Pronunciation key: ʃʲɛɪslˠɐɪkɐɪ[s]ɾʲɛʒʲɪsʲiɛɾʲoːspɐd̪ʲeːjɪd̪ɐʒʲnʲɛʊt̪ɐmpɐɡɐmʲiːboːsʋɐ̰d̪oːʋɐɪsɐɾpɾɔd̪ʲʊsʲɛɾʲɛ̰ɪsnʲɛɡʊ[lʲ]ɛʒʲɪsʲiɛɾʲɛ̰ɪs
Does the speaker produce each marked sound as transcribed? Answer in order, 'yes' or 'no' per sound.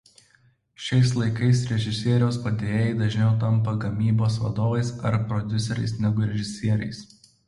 yes, no

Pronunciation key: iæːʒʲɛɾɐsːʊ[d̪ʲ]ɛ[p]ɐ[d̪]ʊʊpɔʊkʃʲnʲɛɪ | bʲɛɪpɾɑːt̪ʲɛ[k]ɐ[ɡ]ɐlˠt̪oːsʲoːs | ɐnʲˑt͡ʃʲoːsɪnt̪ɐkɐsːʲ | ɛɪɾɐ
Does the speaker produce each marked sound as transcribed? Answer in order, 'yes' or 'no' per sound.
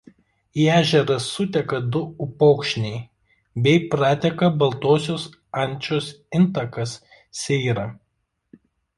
no, no, yes, yes, no

